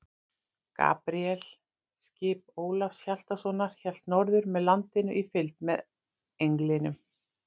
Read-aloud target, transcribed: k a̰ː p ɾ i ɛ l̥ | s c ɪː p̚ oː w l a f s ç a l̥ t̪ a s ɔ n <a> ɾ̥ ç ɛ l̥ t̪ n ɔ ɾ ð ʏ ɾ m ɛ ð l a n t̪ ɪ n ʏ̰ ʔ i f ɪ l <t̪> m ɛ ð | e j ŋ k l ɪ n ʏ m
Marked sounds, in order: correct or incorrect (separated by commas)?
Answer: correct, correct